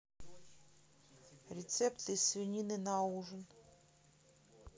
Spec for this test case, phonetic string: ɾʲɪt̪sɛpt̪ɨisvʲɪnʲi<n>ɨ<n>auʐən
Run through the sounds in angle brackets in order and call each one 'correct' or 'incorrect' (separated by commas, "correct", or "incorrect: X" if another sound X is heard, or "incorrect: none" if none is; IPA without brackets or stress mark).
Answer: correct, correct